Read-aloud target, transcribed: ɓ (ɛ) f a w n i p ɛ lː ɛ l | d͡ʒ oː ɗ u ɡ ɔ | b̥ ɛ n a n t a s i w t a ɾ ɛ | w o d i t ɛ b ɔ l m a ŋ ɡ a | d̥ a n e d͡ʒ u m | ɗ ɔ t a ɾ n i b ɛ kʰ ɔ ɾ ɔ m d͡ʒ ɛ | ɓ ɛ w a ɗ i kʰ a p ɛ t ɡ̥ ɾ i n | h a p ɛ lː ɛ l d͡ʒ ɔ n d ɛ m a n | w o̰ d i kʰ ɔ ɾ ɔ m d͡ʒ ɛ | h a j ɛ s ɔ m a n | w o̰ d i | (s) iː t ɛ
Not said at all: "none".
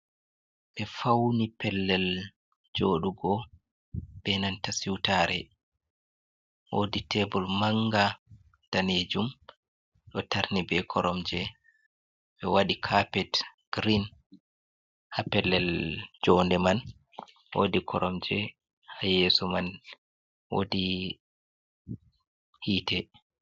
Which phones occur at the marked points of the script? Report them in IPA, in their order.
ɛ, h

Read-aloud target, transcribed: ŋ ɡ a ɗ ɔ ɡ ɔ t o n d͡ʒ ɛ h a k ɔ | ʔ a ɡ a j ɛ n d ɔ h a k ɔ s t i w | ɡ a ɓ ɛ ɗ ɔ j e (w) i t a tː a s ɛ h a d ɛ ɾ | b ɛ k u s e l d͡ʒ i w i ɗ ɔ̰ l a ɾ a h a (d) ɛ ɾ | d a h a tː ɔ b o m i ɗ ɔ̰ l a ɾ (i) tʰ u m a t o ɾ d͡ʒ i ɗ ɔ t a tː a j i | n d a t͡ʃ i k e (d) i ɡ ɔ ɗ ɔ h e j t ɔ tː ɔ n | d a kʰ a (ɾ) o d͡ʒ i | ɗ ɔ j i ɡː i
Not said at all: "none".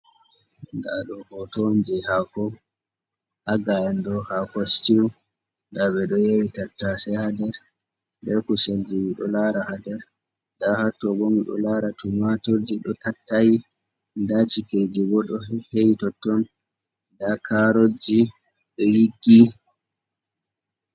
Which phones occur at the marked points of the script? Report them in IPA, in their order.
w, d, a, d͡ʒ, ɾ

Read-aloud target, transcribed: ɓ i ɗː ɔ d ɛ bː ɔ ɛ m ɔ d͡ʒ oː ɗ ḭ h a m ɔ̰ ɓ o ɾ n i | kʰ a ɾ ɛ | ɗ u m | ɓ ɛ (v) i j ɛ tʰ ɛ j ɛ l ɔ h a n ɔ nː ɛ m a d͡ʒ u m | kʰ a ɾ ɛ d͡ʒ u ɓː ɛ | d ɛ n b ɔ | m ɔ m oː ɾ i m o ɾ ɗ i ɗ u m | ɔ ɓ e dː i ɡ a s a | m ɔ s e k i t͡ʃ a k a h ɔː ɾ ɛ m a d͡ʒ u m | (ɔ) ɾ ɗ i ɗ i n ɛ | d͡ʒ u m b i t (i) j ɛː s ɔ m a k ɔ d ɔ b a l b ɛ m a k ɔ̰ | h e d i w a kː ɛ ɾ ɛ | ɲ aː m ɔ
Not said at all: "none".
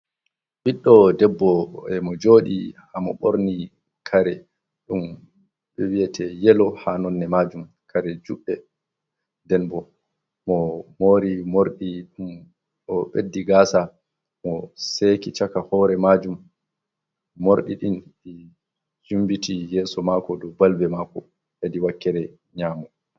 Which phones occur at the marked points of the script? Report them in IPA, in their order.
w, o, i

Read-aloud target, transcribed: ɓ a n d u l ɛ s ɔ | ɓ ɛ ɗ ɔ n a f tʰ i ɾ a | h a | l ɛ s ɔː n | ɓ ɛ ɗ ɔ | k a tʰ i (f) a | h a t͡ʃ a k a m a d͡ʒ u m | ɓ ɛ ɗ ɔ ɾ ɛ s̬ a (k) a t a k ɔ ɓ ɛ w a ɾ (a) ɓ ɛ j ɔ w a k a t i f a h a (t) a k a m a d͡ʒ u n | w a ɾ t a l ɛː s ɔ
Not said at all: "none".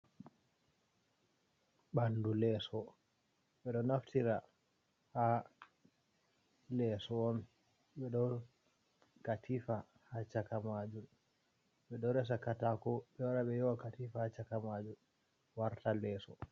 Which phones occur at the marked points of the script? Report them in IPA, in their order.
f, k, a, t͡ʃ

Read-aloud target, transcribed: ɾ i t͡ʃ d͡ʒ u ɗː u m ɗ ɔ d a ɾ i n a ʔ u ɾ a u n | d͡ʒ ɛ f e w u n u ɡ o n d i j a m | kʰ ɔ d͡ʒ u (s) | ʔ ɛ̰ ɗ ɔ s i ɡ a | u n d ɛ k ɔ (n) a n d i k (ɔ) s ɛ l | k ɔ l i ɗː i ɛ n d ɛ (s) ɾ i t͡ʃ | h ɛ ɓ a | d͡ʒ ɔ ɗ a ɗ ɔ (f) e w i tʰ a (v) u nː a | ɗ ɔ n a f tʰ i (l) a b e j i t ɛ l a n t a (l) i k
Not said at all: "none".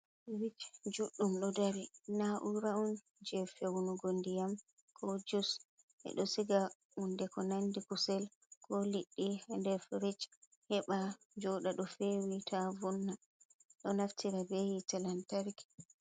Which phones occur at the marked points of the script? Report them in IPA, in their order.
s, n, u, f, f, v, ɾ, ɾ

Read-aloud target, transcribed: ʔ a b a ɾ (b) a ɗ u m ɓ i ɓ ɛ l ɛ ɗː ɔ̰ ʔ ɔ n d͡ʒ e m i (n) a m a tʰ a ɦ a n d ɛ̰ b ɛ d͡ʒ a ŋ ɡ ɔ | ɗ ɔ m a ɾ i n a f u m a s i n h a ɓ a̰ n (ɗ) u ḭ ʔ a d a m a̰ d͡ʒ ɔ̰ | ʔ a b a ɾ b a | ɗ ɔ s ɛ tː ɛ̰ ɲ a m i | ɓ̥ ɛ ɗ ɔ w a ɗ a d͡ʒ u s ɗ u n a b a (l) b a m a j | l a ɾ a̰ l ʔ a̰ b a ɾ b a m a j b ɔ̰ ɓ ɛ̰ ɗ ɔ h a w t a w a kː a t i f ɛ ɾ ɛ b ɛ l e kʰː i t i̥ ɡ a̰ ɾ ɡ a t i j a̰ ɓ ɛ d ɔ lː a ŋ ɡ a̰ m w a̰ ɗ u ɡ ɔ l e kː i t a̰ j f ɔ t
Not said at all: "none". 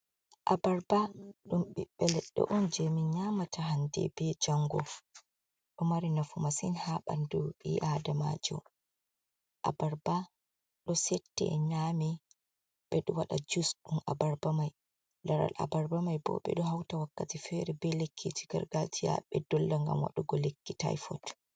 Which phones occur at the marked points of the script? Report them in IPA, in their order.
b, ɲ, d, ɾ

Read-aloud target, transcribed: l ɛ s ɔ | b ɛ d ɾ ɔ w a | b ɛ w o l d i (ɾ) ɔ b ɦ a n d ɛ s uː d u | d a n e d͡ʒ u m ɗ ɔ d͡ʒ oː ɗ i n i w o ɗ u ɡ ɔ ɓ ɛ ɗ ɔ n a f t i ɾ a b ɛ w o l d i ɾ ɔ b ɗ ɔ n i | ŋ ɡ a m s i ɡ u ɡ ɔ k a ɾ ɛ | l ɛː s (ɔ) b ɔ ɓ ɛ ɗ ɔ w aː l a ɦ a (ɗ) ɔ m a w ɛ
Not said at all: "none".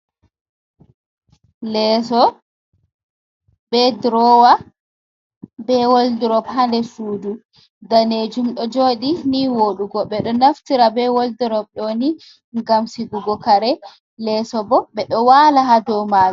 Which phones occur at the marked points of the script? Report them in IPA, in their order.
ɾ, ɔ, d

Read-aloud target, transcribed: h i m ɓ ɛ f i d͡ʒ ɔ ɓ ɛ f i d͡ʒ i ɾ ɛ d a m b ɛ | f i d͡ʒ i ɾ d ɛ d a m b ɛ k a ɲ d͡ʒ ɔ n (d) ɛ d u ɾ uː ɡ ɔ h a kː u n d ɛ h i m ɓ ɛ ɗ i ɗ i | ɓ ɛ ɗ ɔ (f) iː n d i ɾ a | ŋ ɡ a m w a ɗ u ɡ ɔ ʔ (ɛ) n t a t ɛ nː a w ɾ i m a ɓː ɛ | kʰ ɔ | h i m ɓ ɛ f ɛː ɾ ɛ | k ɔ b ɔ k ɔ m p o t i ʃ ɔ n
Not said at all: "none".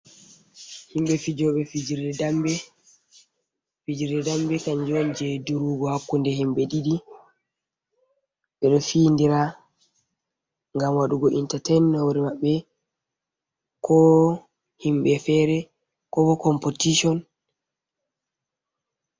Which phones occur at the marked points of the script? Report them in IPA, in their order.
d͡ʒ, f, i

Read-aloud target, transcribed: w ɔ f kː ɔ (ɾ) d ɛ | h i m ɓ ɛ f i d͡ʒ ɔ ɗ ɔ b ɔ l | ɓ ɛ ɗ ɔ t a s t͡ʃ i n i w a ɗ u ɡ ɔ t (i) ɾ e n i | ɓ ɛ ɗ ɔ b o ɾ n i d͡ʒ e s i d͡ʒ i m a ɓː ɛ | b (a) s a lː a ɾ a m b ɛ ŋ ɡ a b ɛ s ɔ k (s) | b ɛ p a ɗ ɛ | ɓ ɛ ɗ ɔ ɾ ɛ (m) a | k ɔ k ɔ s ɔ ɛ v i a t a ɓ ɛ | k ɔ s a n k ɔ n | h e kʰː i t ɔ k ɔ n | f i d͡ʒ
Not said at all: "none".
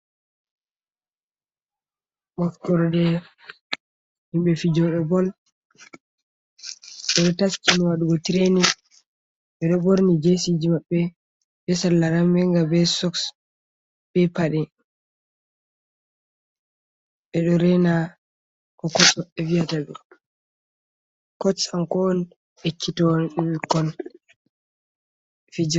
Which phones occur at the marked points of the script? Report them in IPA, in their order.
ɾ, i, ɛ, s, n

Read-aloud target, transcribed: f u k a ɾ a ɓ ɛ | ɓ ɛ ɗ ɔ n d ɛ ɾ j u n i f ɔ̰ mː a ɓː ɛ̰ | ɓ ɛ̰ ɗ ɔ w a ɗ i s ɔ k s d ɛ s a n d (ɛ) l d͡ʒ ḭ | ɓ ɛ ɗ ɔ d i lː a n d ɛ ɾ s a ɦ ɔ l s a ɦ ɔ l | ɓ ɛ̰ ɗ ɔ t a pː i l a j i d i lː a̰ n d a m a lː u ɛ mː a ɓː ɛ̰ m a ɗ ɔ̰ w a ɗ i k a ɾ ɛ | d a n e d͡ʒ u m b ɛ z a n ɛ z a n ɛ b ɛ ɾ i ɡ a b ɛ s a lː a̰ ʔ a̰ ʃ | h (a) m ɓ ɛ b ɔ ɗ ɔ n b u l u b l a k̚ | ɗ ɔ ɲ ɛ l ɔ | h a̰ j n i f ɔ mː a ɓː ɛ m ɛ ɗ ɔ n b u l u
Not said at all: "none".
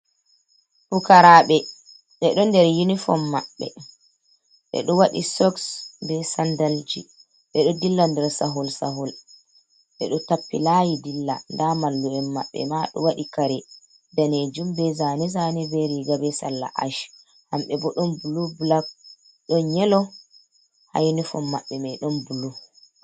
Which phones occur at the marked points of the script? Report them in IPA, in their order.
a, a

